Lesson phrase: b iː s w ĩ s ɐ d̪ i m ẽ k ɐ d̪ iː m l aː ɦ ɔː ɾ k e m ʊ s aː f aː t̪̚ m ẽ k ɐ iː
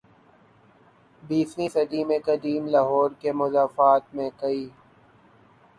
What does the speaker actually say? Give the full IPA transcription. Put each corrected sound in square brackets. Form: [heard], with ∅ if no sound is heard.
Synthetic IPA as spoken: b iː s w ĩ s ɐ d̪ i m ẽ k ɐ d̪ iː m l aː ɦ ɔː ɾ k e m ʊ [z] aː f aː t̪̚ m ẽ k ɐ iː